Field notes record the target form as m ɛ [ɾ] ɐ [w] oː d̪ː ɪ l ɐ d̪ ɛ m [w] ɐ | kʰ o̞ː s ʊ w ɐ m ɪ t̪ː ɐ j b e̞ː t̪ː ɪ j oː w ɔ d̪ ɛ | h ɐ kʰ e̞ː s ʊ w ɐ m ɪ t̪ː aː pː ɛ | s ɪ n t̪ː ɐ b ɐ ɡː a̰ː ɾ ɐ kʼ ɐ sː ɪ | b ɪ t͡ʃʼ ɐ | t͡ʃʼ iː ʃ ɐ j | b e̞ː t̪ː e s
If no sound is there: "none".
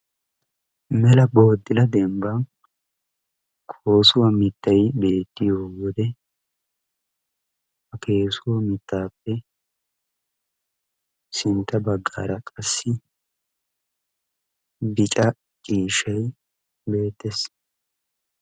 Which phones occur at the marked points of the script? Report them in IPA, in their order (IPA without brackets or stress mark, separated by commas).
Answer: l, b, b